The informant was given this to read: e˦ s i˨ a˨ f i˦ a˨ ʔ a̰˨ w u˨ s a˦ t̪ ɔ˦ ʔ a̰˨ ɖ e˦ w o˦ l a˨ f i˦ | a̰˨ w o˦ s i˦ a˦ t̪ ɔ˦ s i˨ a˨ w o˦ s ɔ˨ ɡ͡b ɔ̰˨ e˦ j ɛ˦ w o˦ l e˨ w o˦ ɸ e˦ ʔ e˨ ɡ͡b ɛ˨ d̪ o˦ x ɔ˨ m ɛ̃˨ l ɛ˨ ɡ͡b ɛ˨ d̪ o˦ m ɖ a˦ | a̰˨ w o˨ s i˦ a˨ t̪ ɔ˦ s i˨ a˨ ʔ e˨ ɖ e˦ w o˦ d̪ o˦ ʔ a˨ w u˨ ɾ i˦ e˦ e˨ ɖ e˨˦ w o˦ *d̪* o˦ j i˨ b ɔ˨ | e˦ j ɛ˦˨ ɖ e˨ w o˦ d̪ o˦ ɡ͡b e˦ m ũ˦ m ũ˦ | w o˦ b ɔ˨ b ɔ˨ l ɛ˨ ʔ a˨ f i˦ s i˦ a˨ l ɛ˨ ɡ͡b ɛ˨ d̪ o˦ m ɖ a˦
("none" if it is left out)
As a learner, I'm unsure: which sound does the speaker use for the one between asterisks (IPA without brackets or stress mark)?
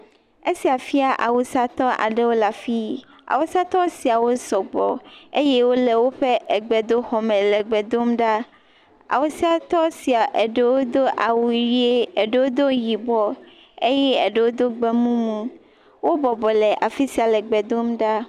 d̪